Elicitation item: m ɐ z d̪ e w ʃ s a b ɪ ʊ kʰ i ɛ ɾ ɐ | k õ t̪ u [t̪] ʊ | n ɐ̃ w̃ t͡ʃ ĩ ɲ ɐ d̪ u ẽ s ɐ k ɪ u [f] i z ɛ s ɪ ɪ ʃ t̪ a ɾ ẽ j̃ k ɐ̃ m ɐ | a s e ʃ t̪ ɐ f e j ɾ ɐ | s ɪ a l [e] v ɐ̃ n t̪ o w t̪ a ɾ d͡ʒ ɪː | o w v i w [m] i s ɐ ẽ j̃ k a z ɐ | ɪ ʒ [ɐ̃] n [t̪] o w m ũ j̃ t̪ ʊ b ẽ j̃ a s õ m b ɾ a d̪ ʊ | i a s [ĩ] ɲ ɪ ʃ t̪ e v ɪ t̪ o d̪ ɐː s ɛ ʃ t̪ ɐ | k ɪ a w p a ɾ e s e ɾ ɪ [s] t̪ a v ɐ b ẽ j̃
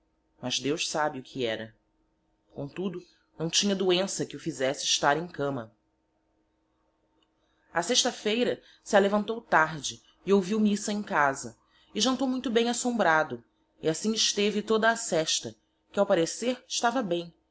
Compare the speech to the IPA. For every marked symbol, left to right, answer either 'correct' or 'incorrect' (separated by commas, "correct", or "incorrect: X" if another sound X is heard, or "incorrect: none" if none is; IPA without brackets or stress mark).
incorrect: d̪, correct, correct, correct, correct, correct, correct, incorrect: ʃ